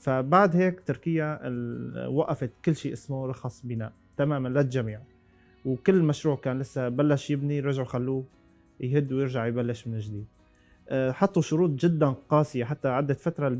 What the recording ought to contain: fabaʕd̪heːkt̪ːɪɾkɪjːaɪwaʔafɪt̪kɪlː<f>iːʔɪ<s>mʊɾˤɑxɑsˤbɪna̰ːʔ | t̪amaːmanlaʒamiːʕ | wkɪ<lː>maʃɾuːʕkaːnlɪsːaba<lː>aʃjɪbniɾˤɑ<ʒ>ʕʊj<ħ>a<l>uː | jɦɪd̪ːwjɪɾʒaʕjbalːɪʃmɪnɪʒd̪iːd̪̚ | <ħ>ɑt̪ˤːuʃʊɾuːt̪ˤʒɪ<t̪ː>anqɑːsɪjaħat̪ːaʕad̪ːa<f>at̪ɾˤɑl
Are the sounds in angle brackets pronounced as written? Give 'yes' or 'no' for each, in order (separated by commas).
no, yes, yes, yes, yes, no, no, yes, no, yes